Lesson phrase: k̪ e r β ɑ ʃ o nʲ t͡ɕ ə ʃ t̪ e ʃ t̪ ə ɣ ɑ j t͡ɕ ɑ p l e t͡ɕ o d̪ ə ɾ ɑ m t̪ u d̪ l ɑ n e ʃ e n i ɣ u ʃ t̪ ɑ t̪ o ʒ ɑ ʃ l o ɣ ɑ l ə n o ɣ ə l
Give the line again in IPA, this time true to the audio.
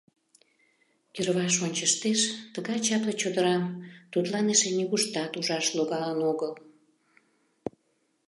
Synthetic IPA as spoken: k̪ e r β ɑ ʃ o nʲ t͡ɕ ə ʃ t̪ e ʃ t̪ ə ɣ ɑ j t͡ɕ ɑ p l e t͡ɕ o d̪ ə ɾ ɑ m t̪ u t̪ l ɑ n e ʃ e n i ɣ u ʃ t̪ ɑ t̪ u ʒ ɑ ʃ l o ɣ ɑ l ə n o ɣ ə l